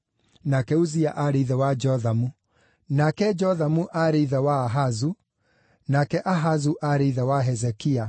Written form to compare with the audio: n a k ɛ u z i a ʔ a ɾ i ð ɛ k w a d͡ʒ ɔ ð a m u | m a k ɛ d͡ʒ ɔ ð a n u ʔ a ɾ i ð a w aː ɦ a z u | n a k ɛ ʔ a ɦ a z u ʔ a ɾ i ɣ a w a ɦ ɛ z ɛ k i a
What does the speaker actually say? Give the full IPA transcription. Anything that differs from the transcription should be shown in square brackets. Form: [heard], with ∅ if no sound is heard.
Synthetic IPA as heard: n a k ɛ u z i a ʔ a ɾ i ð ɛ [∅] w a d͡ʒ ɔ ð a m u | [n] a k ɛ d͡ʒ ɔ ð a [m] u ʔ a ɾ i ð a w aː ɦ a z u | n a k ɛ ʔ a ɦ a z u ʔ a ɾ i [ð] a w a ɦ ɛ z ɛ k i a